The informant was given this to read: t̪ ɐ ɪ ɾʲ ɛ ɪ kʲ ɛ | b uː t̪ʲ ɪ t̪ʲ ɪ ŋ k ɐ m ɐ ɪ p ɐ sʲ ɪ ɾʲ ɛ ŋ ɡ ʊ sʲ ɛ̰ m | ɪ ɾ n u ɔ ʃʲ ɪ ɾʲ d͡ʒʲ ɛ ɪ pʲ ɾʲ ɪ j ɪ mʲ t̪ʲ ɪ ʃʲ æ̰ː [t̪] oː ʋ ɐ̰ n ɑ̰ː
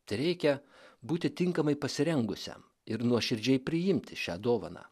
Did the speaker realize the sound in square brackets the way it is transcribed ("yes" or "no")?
no